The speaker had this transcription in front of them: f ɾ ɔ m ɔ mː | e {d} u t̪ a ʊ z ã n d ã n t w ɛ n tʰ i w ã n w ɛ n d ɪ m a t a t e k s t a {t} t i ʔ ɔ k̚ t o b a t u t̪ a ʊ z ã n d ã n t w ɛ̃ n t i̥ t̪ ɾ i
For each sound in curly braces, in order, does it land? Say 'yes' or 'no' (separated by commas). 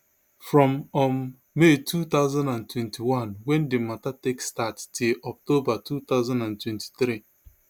no, yes